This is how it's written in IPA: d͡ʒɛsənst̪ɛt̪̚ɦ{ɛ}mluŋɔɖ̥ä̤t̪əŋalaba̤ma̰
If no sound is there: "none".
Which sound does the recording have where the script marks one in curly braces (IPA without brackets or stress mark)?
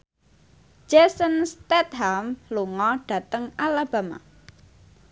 a